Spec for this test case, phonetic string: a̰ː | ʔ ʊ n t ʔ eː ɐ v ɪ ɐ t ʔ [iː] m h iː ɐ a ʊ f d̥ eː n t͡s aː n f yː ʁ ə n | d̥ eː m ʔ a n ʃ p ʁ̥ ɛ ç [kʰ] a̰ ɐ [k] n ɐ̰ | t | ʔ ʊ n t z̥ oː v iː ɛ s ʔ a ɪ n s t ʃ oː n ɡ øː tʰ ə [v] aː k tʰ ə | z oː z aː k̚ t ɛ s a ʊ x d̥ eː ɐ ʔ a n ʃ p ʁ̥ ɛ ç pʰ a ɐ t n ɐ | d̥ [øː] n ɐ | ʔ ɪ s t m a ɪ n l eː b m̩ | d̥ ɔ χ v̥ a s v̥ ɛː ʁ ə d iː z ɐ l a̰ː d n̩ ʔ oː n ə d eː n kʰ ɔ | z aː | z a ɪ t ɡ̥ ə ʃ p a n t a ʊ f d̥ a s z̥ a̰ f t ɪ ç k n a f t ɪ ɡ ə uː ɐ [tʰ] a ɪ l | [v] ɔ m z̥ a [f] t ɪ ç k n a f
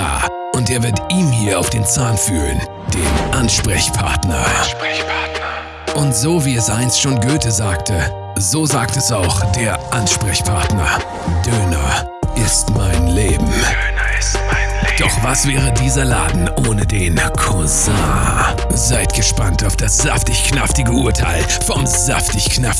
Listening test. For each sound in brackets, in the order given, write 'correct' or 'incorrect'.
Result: correct, incorrect, incorrect, incorrect, correct, correct, incorrect, correct

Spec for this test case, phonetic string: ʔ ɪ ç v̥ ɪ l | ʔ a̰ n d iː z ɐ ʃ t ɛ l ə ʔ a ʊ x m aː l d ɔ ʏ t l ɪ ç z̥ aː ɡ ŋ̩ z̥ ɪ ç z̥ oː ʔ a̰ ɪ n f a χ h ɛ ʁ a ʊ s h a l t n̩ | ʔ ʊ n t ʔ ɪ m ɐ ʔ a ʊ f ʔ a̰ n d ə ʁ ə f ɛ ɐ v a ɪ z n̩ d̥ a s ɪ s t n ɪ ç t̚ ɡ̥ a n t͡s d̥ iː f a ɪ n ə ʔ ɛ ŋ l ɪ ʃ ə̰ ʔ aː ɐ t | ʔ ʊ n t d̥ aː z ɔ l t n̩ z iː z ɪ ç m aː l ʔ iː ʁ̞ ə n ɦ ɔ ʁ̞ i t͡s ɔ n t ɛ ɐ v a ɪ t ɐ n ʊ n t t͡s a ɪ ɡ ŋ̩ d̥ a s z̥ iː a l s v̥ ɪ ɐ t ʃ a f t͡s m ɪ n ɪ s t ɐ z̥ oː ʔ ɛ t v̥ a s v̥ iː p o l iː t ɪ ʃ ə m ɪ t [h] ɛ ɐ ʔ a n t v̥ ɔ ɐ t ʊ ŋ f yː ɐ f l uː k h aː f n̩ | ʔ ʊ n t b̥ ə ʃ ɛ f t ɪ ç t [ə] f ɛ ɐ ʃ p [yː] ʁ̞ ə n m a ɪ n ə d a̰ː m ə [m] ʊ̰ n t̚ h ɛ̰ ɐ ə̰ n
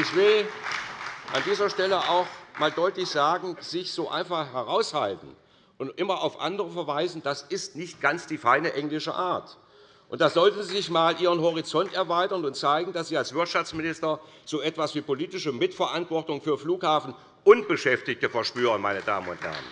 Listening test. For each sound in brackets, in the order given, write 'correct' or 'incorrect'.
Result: incorrect, correct, correct, incorrect

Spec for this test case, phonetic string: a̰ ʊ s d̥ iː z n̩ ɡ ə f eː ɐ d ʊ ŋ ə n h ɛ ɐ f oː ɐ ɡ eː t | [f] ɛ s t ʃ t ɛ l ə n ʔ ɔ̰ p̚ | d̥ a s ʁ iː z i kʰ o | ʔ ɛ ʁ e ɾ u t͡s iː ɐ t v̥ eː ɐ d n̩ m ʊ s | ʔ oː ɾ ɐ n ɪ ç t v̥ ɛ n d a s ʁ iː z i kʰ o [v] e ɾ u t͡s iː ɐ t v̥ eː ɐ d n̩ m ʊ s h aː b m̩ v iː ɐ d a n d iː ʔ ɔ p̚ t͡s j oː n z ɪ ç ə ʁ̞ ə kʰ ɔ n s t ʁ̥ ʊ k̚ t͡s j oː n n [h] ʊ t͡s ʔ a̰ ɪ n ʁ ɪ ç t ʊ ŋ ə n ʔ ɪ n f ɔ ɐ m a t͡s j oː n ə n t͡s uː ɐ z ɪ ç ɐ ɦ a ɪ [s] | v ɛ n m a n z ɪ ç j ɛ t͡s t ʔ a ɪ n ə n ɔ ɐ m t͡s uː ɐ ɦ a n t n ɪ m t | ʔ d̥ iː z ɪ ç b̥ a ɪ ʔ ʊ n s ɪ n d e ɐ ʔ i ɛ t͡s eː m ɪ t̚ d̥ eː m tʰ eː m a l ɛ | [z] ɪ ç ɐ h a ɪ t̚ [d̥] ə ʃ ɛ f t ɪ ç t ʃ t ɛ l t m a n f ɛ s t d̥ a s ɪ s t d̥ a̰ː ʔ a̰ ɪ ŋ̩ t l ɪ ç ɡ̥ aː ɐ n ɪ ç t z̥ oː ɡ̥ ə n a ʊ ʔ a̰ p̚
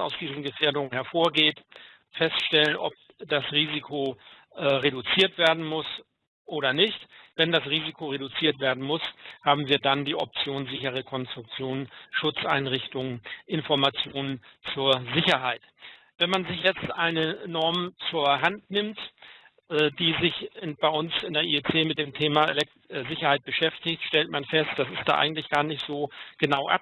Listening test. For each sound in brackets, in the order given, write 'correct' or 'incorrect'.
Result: correct, incorrect, incorrect, incorrect, correct, incorrect

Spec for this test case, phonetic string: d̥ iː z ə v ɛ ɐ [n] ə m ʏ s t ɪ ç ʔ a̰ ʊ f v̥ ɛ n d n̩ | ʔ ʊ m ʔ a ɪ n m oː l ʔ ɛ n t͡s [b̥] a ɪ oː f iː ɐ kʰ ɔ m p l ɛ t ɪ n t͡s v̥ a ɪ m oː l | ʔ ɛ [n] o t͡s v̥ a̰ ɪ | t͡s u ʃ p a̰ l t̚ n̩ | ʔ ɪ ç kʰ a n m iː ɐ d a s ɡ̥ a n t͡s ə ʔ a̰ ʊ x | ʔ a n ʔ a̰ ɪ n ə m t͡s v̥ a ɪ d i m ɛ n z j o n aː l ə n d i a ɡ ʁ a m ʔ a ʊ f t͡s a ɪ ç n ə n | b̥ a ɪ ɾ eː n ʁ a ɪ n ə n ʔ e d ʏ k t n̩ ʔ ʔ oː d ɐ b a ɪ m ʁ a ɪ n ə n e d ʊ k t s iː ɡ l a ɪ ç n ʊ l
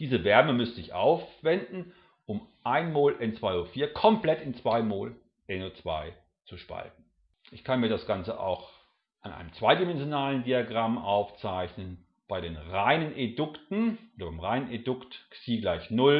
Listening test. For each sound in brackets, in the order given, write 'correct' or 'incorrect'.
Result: incorrect, incorrect, correct

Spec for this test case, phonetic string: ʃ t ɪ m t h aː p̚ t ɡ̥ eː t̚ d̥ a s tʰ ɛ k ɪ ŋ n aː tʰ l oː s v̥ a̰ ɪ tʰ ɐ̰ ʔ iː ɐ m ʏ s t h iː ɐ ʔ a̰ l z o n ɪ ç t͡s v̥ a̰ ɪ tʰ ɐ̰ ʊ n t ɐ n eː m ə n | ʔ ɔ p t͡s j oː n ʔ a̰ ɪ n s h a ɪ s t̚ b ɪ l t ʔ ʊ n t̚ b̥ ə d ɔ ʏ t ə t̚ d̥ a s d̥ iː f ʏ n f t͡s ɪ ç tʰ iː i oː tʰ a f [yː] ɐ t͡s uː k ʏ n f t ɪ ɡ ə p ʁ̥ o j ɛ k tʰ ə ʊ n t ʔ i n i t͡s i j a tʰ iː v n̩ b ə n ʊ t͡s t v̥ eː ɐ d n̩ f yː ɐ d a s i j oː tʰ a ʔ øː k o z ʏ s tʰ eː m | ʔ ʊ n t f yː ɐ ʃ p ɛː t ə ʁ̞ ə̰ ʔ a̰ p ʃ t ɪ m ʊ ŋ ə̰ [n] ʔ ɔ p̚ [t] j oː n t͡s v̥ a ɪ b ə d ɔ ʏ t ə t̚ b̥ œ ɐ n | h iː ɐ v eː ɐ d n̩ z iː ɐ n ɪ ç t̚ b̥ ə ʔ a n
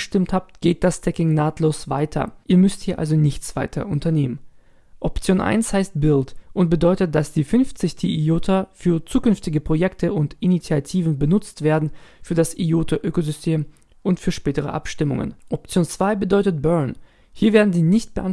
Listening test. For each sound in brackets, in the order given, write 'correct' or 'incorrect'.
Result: correct, correct, incorrect

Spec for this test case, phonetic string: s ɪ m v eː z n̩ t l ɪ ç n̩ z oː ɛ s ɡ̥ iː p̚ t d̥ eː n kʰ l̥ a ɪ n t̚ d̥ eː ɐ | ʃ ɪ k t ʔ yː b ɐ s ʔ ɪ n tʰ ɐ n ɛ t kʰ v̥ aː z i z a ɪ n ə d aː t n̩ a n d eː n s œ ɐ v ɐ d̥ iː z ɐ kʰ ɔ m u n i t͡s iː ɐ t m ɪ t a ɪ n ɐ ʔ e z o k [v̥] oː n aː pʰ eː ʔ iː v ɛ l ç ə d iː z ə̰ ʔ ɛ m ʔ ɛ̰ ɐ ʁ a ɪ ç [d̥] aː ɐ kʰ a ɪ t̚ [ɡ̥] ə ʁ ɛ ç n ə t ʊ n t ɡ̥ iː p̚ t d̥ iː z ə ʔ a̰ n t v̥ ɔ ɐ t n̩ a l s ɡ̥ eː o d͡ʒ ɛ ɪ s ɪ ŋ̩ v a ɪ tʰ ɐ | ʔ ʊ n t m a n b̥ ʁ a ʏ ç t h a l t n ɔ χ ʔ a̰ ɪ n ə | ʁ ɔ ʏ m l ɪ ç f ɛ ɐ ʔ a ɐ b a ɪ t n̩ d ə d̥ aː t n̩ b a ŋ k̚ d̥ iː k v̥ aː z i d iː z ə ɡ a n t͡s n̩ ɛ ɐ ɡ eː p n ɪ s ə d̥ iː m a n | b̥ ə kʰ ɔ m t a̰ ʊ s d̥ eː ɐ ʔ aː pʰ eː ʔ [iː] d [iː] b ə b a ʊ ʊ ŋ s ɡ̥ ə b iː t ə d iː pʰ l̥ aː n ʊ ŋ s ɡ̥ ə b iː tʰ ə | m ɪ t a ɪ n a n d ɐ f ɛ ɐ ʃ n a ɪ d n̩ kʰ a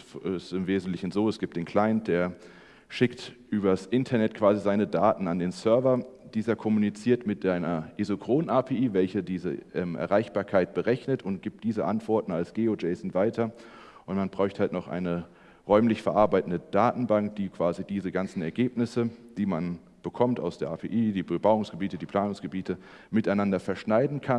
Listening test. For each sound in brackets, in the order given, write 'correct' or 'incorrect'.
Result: incorrect, incorrect, incorrect, correct, correct

